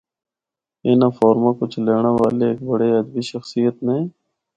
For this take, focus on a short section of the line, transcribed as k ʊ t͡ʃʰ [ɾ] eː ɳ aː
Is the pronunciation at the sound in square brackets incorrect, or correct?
incorrect